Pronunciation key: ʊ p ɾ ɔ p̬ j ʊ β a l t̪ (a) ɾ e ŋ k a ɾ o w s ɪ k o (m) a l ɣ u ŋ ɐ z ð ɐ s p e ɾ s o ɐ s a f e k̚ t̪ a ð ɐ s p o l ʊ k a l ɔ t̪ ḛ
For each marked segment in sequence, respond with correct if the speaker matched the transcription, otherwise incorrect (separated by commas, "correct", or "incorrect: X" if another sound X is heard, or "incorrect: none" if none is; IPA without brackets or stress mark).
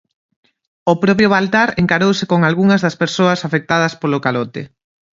correct, incorrect: ŋ